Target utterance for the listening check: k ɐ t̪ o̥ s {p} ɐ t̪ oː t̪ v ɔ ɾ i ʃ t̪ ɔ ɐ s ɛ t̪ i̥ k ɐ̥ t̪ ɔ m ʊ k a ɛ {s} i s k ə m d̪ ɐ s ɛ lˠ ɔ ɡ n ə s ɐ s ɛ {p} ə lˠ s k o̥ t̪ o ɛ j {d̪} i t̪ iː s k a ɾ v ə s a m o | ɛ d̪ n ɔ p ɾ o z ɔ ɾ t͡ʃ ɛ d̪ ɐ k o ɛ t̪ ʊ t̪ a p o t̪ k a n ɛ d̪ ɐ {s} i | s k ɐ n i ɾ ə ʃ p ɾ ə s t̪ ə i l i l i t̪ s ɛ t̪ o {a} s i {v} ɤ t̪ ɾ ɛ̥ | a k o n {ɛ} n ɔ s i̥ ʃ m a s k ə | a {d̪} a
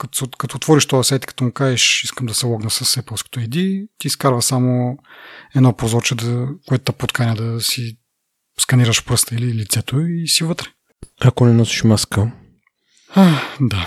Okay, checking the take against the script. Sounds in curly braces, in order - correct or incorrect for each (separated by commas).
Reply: incorrect, incorrect, correct, correct, correct, incorrect, correct, correct, correct